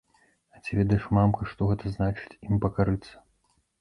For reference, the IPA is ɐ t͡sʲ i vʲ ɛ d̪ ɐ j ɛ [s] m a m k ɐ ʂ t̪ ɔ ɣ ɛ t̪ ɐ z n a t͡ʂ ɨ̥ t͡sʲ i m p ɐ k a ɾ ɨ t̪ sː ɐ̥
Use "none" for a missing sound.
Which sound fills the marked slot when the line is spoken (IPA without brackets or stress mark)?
ʂ